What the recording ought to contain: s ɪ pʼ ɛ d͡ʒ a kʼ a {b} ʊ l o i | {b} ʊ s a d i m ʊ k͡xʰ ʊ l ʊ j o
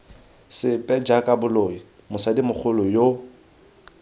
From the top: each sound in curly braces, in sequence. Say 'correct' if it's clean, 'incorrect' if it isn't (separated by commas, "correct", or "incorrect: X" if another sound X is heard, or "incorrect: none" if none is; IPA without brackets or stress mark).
correct, incorrect: m